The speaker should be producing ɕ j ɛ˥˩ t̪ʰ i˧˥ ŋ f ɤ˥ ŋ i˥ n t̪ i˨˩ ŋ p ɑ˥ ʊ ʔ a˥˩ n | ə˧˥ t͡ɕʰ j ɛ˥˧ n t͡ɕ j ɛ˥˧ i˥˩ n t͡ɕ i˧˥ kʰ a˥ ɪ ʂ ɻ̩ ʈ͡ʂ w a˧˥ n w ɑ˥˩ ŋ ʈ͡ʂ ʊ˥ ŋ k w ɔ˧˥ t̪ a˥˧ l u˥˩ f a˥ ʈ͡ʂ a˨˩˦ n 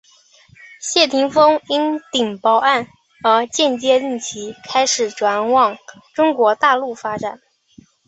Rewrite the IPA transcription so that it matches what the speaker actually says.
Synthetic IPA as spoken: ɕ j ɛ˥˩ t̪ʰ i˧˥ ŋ f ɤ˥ ŋ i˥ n t̪ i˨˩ ŋ p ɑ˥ ʊ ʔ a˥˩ n | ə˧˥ t͡ɕ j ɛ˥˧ n t͡ɕ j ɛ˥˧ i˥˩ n t͡ɕʰ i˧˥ kʰ a˥ ɪ ʂ ɻ̩ ʈ͡ʂ w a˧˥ n w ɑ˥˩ ŋ ʈ͡ʂ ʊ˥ ŋ k w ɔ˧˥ t̪ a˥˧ l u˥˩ f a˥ ʈ͡ʂ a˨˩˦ n

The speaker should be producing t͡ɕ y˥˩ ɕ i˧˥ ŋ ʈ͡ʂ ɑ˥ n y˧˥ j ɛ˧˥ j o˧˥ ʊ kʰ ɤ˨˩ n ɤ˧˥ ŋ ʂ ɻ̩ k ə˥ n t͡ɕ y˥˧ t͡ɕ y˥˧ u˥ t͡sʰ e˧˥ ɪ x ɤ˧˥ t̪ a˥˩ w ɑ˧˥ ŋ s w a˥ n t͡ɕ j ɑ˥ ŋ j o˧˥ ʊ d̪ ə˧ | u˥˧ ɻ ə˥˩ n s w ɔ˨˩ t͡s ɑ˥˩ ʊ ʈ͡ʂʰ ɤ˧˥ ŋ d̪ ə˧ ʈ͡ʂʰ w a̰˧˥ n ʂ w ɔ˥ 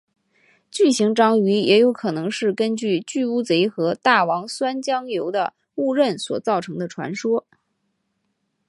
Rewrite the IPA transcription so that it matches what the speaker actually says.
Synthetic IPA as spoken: t͡ɕ y˥˩ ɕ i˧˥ ŋ ʈ͡ʂ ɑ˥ ŋ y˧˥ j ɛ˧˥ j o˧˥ ʊ kʰ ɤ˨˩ n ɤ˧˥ ŋ ʂ ɻ̩ k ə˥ n t͡ɕ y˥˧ t͡ɕ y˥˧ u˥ t͡s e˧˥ ɪ x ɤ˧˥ t̪ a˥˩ w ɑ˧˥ ŋ s w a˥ n t͡ɕ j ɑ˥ ŋ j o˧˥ ʊ d̪ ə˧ | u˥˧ ɻ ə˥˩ n s w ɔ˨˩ t͡s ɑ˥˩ ʊ ʈ͡ʂʰ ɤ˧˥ ŋ d̪ ə˧ ʈ͡ʂʰ w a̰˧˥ n ʂ w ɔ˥

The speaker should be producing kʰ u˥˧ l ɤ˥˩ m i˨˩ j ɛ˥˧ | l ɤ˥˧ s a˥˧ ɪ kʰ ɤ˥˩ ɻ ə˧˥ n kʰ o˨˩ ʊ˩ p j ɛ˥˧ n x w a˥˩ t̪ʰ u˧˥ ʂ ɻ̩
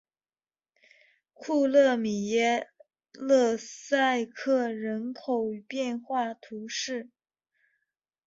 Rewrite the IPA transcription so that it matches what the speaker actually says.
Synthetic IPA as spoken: kʰ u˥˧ l ɤ˥˩ m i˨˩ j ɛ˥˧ | l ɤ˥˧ s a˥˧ ɪ kʰ ɤ˥˩ ɻ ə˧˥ n kʰ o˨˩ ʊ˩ p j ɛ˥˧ n x w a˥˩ t̪ʰ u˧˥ ʂ ɻ̩

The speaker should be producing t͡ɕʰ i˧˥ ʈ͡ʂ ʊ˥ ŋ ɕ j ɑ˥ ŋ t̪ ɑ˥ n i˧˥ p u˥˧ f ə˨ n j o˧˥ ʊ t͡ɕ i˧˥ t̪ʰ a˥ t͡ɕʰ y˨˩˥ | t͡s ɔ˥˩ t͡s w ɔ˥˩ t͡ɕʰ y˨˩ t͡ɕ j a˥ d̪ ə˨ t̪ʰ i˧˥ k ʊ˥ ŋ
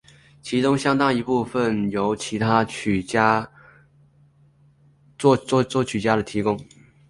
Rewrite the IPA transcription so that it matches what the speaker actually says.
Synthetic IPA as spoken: t͡ɕʰ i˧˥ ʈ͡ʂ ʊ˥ ŋ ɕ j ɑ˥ ŋ t̪ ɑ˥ ŋ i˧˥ p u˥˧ f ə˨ n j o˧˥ ʊ t͡ɕʰ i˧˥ t̪ʰ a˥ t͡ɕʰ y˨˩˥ | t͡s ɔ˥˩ t͡s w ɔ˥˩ t͡ɕʰ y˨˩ t͡ɕ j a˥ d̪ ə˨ t̪ʰ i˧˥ k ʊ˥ ŋ

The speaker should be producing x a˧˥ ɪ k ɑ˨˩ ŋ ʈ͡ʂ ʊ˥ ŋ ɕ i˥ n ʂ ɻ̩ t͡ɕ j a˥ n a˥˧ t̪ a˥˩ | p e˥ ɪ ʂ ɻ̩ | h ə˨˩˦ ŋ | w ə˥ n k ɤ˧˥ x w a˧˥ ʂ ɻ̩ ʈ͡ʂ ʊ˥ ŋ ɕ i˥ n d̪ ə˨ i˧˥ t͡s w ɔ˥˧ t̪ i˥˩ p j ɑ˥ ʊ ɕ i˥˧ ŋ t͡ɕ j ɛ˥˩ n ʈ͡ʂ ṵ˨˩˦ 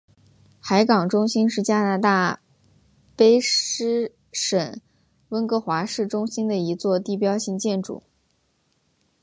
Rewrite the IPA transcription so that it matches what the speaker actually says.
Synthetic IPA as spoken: x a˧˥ ɪ k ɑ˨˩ ŋ ʈ͡ʂ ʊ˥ ŋ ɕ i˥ n ʂ ɻ̩ t͡ɕ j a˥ n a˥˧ t̪ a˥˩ | p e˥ ɪ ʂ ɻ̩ | ʂ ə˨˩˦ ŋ | w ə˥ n k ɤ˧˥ x w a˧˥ ʂ ɻ̩ ʈ͡ʂ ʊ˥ ŋ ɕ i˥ n d̪ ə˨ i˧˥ t͡s w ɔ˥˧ t̪ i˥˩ p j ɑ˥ ʊ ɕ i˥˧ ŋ t͡ɕ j ɛ˥˩ n ʈ͡ʂ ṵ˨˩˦

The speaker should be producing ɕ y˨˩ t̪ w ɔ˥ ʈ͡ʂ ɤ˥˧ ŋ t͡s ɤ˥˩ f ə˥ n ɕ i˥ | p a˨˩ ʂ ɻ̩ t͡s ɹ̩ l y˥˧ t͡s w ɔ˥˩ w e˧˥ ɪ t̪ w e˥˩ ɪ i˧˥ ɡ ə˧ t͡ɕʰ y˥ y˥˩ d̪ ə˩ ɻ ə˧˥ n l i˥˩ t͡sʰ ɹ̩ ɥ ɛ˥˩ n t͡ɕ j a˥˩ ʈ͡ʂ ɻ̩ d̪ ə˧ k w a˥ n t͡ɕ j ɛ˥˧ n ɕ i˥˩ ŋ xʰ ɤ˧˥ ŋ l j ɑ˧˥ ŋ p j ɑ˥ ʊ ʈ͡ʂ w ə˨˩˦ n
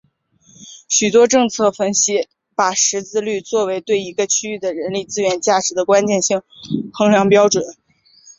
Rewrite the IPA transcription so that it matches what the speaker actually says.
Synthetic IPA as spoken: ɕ y˨˩ t̪ w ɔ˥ ʈ͡ʂ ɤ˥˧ ŋ t͡sʰ ɤ˥˩ f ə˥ n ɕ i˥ | p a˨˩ ʂ ɻ̩ t͡s ɹ̩ l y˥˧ t͡s w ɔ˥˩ w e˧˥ ɪ t̪ w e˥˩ ɪ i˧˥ ɡ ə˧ t͡ɕʰ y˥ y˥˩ d̪ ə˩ ɻ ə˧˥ n l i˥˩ t͡s ɹ̩ ɥ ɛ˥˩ n t͡ɕ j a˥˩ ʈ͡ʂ ɻ̩ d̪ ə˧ k w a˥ n t͡ɕ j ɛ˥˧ n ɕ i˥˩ ŋ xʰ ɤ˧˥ ŋ l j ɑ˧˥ ŋ p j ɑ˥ ʊ ʈ͡ʂ w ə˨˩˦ n

